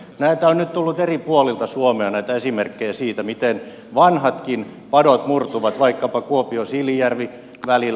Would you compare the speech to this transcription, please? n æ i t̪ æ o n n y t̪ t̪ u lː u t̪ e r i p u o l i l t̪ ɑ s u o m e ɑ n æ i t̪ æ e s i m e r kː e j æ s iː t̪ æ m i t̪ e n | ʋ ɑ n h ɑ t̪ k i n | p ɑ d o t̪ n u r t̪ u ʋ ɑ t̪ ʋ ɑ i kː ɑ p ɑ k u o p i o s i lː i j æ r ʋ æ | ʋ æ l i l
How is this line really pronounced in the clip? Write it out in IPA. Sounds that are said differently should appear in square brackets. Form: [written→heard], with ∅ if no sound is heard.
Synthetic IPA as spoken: n æ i t̪ æ o n n y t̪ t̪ u lː u t̪ e r i p u o l i l t̪ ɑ s u o m e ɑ n æ i t̪ æ e s i m e r kː e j æ s iː t̪ æ m i t̪ e n | ʋ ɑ n h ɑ t̪ k i n | p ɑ d o t̪ [n→m] u r t̪ u ʋ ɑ t̪ ʋ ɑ i kː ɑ p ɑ k u o p i o s i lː i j æ r ʋ [æ→i] | ʋ æ l i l